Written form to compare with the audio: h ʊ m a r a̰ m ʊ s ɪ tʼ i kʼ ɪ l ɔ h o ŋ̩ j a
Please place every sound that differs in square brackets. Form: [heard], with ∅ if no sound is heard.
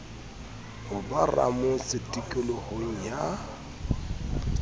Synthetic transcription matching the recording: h ʊ [b] a r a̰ m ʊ s ɪ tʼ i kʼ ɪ l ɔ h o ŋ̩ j a